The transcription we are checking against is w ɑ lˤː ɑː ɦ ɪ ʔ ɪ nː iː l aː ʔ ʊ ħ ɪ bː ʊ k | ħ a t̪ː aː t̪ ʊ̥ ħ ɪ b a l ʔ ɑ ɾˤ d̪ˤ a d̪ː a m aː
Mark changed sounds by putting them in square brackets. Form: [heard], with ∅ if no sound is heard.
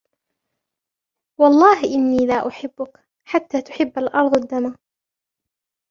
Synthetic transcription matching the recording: w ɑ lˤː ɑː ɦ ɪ ʔ ɪ nː iː l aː ʔ ʊ ħ ɪ bː ʊ k | ħ a t̪ː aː t̪ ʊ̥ ħ ɪ [bː] a l ʔ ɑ ɾˤ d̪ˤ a d̪ː a m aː